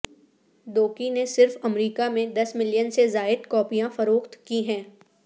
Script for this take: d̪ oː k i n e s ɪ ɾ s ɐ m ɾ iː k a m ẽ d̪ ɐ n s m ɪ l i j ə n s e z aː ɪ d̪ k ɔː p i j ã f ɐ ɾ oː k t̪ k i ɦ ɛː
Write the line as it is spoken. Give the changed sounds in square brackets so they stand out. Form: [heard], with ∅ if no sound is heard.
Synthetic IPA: d̪ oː k i n e s ɪ ɾ [f] ɐ m ɾ iː k a m ẽ d̪ ɐ [∅] s m ɪ l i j ə n s e z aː ɪ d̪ k ɔː p i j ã f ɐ ɾ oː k t̪ k i ɦ [ɛ̃ː]